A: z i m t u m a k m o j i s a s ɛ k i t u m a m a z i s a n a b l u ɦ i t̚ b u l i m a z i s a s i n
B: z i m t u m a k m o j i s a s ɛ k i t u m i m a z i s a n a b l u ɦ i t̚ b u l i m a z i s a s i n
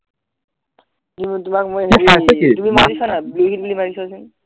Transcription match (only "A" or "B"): B